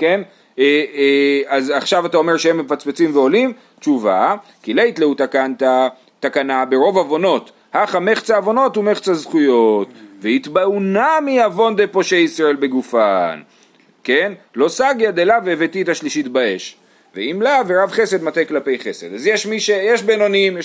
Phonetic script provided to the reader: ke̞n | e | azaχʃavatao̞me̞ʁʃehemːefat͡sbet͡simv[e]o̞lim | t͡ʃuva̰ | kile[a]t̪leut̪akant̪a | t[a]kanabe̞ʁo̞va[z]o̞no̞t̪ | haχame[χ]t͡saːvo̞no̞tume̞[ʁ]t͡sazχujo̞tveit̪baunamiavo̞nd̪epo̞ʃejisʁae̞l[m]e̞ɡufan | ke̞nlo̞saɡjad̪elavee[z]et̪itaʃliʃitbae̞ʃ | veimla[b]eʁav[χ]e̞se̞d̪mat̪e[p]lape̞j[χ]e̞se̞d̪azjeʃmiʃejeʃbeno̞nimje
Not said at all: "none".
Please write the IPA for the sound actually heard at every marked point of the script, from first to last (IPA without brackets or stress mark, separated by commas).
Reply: e, i, a, v, χ, χ, b, v, v, χ, k, χ